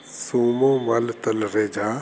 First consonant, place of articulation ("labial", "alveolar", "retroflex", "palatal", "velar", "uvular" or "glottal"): alveolar